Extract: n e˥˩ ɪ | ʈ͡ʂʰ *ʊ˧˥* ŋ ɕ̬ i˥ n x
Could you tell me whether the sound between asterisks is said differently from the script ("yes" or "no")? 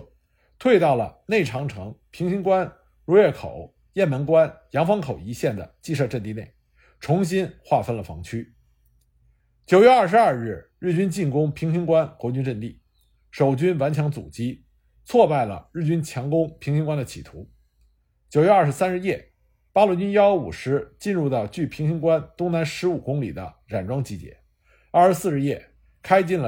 no